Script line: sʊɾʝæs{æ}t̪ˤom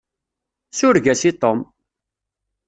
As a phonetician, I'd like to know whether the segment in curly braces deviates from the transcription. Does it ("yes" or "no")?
yes